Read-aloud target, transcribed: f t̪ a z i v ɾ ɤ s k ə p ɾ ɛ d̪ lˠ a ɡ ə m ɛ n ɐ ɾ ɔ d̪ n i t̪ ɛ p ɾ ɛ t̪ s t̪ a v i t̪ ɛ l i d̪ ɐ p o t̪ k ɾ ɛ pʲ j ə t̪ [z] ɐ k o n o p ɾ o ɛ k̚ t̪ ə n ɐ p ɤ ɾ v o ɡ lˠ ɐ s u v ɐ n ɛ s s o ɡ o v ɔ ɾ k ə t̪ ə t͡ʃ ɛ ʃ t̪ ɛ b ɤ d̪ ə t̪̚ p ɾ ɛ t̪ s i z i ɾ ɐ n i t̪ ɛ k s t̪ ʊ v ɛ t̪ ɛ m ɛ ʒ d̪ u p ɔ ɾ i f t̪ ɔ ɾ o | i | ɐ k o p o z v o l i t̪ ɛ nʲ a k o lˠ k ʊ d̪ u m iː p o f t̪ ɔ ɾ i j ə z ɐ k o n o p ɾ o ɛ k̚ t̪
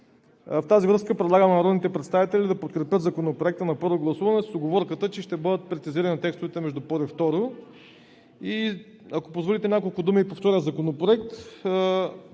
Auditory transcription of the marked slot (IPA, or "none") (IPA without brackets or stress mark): z